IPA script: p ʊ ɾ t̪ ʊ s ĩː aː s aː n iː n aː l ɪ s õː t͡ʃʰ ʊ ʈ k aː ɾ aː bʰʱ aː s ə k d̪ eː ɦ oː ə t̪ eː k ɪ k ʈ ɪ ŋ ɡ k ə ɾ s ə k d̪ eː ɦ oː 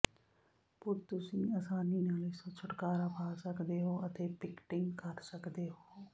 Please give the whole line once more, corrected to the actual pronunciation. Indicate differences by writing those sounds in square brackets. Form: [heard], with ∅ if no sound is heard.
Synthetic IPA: p ʊ ɾ t̪ ʊ s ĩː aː s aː n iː n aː l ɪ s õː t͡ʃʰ ʊ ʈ k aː ɾ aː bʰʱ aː s ə k d̪ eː ɦ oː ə t̪ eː [p] ɪ k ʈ ɪ ŋ ɡ k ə ɾ s ə k d̪ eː ɦ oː